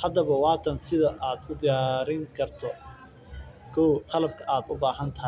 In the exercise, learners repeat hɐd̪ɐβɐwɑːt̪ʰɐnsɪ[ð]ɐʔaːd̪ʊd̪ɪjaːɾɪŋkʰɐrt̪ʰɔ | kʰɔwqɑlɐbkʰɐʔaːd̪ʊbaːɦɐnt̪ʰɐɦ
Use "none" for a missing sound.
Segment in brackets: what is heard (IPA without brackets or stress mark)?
ð